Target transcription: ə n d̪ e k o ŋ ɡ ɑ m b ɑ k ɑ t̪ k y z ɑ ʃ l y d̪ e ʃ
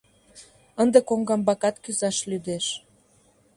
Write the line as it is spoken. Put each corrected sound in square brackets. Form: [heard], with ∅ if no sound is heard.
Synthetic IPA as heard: ə n d̪ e k o ŋ ɡ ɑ m b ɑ k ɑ t̪ k y z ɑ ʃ l y d̪ e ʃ